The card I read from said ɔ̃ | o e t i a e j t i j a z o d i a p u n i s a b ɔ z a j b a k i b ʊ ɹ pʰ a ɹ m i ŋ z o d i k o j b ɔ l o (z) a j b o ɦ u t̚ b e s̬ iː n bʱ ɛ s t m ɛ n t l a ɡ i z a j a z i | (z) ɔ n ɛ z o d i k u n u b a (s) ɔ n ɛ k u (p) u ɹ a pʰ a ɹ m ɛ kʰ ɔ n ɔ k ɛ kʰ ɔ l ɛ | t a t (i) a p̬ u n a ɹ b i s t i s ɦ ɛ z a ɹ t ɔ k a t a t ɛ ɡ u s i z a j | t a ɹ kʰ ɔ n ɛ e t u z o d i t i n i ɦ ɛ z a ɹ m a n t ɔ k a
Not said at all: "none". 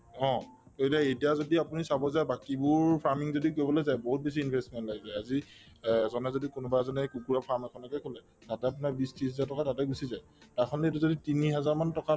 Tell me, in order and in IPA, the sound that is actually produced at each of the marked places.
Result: z, z, z, k, ɛ

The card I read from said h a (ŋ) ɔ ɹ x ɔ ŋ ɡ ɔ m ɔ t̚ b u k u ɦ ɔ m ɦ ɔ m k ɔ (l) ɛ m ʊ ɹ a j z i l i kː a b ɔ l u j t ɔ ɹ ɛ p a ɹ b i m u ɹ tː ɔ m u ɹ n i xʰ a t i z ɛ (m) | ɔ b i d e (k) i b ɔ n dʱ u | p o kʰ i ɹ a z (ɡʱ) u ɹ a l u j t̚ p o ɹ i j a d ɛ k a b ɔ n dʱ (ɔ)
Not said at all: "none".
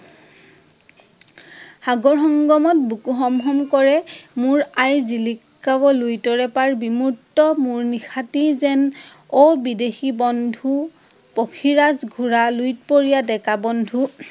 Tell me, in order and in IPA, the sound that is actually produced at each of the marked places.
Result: ɡ, ɹ, n, x, ɡʱ, u

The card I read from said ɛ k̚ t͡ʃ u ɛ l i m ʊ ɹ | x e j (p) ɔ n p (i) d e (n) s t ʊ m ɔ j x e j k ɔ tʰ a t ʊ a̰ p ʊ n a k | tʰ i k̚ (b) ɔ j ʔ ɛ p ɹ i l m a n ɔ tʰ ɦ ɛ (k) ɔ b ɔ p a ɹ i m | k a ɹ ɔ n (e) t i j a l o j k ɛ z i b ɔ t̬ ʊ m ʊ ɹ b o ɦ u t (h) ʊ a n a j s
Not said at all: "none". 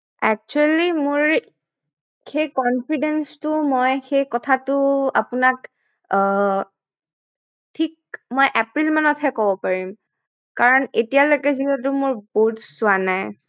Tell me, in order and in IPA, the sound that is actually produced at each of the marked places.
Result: k, i, n, m, k, e, s

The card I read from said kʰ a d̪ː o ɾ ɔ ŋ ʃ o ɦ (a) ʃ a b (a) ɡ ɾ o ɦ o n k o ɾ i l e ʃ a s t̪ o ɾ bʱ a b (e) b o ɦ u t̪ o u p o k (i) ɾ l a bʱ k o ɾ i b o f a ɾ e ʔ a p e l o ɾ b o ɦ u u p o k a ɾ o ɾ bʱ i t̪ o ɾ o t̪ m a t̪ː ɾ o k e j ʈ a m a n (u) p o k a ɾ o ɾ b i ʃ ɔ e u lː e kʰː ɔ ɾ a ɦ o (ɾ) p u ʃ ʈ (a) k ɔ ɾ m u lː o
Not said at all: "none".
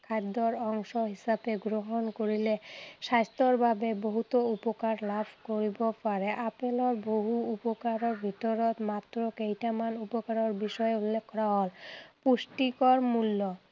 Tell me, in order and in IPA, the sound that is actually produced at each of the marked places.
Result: i, e, e, a, u, l, i

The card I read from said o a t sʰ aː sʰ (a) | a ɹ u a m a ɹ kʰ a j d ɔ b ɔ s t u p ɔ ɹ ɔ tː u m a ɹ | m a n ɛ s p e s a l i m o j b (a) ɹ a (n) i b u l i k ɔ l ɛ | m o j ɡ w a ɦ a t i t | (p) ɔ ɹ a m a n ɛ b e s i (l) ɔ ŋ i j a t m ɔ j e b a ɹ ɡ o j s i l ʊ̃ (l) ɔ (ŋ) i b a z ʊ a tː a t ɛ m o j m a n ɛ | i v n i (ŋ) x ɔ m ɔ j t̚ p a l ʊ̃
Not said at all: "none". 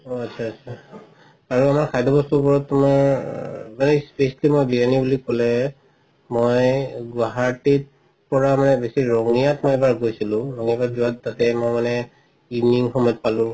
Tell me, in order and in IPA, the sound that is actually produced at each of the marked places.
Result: a, i, n, p, ɹ, ɹ, ŋ, ŋ

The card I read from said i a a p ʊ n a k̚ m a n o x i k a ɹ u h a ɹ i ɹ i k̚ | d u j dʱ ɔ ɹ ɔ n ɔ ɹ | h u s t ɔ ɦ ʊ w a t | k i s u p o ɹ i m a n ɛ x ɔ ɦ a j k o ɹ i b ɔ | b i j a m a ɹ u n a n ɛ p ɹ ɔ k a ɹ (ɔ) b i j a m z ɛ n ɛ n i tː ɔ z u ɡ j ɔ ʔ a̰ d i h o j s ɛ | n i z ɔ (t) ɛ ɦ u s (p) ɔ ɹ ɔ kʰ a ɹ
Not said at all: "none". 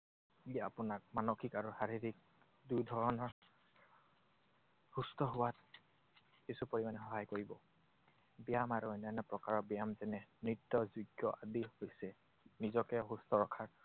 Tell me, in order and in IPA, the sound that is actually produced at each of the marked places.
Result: ɔ, k, t

